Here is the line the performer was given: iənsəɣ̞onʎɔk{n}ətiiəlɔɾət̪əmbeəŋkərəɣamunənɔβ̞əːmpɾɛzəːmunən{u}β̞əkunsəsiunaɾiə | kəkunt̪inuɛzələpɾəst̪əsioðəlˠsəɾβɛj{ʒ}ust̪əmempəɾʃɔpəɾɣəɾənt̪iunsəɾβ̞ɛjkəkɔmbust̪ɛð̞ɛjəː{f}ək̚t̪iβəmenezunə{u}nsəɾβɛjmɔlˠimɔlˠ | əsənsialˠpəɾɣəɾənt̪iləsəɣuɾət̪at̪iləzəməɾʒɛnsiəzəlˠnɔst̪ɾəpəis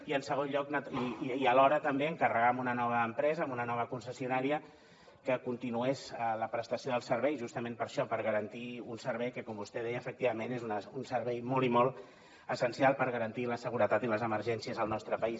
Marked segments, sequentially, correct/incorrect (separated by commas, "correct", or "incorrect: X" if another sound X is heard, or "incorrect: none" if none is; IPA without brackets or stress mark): correct, incorrect: ɔ, correct, correct, correct